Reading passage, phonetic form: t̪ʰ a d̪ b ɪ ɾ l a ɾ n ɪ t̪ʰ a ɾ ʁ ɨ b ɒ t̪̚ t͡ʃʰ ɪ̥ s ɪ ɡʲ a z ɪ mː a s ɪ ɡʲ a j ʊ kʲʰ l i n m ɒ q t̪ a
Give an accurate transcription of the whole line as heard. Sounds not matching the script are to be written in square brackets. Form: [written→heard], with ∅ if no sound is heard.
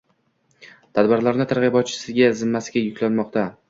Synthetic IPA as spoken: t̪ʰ a d̪ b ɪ ɾ l a ɾ n ɪ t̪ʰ a ɾ ʁ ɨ b ɒ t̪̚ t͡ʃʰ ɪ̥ s ɪ ɡʲ a z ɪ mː a s ɪ ɡʲ a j ʊ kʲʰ l [i→a] n m ɒ q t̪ a